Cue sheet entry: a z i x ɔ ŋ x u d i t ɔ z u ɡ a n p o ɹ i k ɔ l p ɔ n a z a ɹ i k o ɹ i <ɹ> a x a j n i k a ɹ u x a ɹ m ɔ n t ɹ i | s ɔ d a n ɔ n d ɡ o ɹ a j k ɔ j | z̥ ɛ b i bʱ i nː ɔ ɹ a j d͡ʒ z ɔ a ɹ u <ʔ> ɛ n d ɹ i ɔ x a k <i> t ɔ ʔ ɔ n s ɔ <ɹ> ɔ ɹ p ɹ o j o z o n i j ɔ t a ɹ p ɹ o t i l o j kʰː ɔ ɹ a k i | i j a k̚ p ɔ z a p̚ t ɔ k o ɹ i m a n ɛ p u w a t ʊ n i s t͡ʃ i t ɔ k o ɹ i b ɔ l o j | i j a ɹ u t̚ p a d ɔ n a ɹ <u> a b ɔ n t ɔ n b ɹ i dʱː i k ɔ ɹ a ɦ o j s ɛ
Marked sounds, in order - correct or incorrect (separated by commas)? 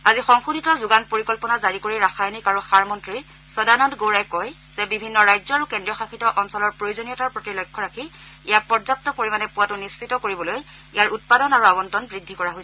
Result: correct, incorrect, correct, incorrect, correct